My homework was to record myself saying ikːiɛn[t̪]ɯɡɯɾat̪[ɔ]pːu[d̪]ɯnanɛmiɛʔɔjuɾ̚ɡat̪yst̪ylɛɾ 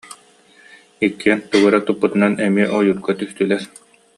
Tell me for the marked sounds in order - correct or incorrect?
correct, incorrect: u, incorrect: t̪

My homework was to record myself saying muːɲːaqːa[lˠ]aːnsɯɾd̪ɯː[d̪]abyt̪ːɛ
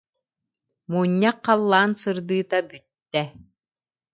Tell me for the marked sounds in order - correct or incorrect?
incorrect: lˠː, incorrect: t̪

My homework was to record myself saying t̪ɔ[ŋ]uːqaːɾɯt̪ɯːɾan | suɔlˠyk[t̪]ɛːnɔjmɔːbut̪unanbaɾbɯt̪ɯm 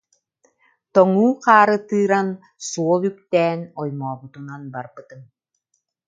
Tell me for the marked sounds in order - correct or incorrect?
correct, correct

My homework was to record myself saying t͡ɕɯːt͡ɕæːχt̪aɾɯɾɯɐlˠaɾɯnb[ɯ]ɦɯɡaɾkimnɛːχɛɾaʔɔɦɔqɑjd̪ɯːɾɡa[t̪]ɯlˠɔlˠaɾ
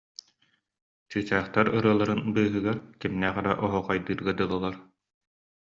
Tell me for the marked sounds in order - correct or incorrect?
incorrect: ɯː, incorrect: d̪

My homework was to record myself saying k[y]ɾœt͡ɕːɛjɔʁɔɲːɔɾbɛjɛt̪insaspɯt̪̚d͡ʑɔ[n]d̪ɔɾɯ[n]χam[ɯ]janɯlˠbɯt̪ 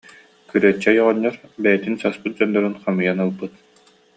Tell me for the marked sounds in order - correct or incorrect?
correct, correct, correct, correct

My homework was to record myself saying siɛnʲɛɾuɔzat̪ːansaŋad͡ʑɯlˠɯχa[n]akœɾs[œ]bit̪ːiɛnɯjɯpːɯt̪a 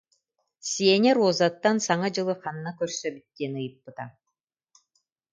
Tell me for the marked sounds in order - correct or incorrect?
incorrect: nː, correct

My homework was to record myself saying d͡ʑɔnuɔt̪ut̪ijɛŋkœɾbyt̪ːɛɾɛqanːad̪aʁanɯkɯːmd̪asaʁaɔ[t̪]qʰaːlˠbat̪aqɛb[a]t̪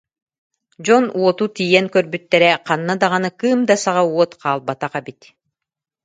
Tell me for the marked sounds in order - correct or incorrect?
correct, incorrect: i

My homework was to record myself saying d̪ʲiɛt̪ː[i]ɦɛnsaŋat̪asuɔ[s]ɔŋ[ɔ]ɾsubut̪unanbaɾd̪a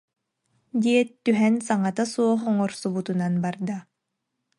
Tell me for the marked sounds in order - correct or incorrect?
incorrect: y, incorrect: χ, correct

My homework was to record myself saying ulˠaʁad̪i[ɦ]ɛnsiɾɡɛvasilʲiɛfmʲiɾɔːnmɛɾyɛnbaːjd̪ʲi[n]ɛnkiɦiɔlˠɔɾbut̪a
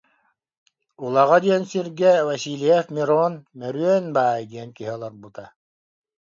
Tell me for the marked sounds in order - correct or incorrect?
incorrect: none, incorrect: none

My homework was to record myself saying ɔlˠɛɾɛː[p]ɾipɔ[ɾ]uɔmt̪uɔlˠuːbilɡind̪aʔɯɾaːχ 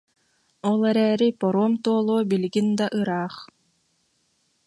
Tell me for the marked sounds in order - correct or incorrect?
incorrect: none, correct

